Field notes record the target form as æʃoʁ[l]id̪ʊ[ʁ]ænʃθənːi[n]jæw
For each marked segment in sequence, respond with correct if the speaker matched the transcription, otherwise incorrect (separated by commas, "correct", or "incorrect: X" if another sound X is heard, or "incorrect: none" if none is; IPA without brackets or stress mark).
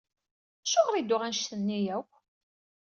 incorrect: ɾ, correct, incorrect: none